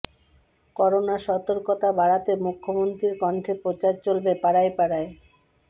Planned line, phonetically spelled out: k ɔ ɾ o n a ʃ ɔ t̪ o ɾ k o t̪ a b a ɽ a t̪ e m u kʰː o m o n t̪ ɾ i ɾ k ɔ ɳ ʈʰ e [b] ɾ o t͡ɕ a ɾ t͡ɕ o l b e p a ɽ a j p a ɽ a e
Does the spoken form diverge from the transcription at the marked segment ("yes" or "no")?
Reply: yes